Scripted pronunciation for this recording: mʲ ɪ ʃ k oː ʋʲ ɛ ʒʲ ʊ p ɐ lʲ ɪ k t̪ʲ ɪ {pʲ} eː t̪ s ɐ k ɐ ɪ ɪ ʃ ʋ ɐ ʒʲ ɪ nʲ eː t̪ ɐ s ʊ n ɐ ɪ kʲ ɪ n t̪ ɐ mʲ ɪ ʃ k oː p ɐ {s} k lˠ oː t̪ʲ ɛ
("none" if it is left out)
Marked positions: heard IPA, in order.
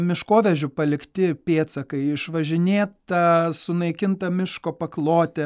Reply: pʲ, none

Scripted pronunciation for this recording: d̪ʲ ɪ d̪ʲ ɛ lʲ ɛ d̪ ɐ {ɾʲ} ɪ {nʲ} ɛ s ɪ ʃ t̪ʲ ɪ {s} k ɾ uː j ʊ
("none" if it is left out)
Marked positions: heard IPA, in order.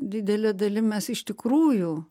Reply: lʲ, mʲ, none

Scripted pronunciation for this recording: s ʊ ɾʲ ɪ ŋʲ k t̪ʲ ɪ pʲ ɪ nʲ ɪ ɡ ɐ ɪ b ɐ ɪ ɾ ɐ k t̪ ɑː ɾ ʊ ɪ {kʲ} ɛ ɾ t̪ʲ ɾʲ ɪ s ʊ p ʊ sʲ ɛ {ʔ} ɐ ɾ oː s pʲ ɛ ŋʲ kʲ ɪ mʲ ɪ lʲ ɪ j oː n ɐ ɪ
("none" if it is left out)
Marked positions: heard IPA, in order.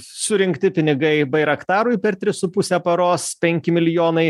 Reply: pʲ, p

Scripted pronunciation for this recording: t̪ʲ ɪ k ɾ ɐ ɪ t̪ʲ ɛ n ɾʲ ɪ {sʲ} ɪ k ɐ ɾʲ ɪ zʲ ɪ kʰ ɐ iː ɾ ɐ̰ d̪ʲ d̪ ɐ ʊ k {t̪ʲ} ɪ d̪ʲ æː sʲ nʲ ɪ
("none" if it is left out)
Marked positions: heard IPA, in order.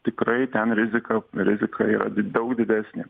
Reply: zʲ, d̪ʲ

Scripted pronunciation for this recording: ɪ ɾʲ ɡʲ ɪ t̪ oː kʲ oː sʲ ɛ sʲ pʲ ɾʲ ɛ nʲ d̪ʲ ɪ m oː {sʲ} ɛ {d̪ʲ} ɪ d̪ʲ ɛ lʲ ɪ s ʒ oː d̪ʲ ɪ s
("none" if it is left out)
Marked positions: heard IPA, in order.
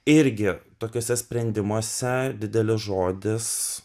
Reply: sʲ, d̪ʲ

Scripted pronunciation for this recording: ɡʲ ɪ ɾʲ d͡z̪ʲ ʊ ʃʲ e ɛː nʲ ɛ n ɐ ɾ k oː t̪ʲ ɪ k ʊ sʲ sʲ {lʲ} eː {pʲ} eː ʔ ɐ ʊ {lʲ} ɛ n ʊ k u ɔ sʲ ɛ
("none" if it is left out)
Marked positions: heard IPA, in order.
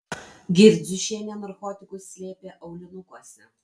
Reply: lʲ, pʲ, lʲ

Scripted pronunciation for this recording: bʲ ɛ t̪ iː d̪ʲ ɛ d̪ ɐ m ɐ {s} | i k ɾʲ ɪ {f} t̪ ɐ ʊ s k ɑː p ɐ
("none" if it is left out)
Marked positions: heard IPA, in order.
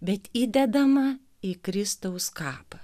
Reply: none, s

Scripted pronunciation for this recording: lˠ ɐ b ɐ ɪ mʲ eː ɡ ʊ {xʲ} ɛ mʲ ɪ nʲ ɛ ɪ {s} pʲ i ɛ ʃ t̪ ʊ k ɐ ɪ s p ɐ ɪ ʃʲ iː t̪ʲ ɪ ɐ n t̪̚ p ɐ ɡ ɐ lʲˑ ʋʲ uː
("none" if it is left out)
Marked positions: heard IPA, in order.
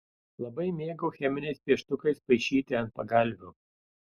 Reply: xʲ, s

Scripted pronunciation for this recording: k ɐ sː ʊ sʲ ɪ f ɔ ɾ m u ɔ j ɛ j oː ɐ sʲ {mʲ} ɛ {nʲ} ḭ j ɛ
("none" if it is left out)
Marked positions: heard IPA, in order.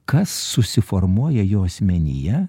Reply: mʲ, nʲ

